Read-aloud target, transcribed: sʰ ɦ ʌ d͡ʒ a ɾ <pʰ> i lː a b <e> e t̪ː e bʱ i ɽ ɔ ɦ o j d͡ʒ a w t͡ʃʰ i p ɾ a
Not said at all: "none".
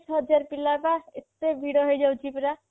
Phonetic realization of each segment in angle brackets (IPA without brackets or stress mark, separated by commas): p, a